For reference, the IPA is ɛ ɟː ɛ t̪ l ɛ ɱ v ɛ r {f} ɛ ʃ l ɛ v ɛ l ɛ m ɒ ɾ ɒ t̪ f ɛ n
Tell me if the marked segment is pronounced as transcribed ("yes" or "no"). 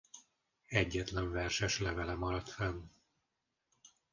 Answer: no